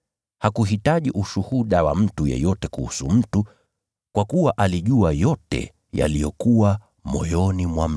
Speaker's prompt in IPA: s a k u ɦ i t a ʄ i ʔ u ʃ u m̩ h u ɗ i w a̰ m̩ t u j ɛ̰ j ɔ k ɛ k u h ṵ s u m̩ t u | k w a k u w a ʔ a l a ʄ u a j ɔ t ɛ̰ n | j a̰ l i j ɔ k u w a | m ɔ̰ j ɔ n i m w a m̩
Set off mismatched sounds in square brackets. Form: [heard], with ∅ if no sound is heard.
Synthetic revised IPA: [h] a k u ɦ i t a ʄ i ʔ u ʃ u [∅] h u ɗ [a] w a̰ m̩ t u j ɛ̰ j ɔ [t] ɛ k u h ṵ s u m̩ t u | k w a k u w a ʔ a l [i] ʄ u a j ɔ t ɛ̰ [∅] | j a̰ l i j ɔ k u w a | m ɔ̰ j ɔ n i m w a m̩